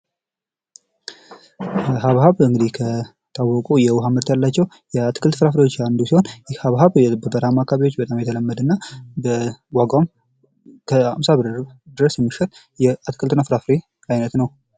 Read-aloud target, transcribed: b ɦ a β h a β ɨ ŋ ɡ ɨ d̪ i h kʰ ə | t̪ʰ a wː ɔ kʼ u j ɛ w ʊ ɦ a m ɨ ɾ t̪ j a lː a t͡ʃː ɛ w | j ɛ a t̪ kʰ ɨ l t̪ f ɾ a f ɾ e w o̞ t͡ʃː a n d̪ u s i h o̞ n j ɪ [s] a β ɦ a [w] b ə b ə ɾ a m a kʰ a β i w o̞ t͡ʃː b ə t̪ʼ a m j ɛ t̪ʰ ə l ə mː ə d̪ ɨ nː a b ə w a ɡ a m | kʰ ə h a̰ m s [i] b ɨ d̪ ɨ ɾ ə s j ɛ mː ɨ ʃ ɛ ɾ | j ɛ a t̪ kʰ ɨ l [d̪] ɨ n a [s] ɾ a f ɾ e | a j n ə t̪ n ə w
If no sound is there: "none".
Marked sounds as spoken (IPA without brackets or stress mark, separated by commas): h, β, a, t̪, f